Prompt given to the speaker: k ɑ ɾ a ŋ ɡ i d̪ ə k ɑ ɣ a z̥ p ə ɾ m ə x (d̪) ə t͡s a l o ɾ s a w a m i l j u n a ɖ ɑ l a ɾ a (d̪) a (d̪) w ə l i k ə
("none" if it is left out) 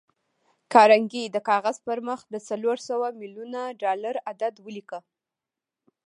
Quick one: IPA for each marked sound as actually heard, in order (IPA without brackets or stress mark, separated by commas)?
d̪, d̪, d̪